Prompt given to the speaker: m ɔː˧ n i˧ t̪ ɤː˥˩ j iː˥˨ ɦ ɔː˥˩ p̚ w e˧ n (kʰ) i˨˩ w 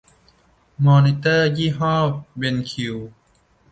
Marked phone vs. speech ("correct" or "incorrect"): correct